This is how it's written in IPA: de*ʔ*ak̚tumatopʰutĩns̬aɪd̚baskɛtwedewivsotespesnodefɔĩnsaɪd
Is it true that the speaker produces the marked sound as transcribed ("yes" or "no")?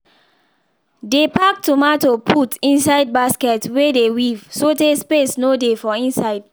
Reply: no